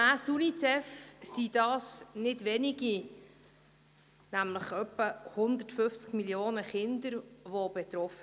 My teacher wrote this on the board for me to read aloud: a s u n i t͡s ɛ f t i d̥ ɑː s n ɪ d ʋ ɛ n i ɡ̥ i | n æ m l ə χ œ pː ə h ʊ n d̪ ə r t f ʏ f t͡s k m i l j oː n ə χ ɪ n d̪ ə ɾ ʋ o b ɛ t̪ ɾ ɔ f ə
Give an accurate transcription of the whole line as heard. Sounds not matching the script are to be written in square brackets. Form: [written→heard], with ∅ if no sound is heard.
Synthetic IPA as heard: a s u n i t͡s ɛ f [t→s] i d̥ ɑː s n ɪ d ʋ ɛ n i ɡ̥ i | n æ m l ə χ œ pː ə h ʊ n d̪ ə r t f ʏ f t͡s k m i l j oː n ə χ ɪ n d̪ ə ɾ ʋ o b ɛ t̪ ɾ ɔ f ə